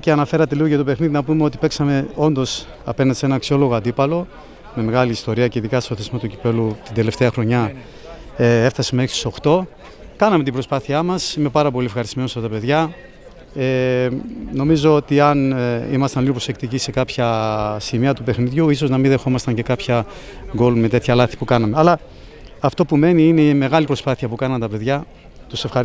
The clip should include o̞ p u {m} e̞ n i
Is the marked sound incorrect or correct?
correct